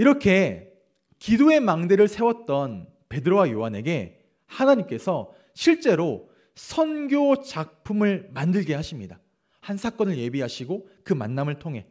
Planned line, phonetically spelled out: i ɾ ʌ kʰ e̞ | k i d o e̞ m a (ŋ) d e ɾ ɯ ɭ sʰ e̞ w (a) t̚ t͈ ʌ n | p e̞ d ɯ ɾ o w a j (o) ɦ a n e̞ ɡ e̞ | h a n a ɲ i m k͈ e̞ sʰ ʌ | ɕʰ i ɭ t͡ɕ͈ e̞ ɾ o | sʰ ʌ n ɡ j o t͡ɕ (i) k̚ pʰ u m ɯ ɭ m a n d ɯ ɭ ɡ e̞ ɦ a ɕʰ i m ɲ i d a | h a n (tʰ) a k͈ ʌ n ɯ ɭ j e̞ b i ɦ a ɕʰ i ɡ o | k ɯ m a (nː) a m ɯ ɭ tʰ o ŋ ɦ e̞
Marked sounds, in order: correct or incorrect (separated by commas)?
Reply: correct, incorrect, correct, incorrect, incorrect, correct